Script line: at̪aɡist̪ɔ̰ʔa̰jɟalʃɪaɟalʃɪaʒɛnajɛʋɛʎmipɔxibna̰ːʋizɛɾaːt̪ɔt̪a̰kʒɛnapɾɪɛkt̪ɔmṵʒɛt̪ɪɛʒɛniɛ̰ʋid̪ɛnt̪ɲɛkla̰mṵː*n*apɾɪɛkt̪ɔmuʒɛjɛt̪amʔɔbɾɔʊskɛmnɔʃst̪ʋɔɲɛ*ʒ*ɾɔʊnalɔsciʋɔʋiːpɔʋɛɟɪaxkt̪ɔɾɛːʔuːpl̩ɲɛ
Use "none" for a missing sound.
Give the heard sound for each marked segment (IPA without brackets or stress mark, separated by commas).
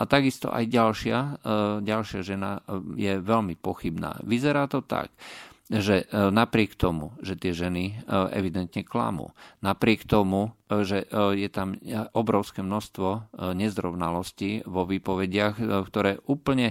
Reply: n, z